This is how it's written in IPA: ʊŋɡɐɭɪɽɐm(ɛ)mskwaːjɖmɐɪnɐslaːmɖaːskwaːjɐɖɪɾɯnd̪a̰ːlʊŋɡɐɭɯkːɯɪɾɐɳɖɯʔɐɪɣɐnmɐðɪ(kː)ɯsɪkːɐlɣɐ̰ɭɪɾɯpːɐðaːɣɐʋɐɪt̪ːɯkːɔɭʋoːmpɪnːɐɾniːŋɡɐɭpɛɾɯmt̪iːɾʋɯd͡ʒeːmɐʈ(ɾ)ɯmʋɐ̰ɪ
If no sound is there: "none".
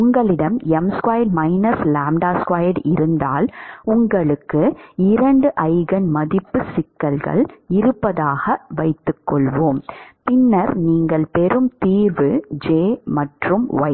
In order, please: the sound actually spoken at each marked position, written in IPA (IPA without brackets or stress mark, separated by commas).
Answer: ɛ, pː, r